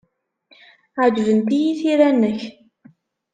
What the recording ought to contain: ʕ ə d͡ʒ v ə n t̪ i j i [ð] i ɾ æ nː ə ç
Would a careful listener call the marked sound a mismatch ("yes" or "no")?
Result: yes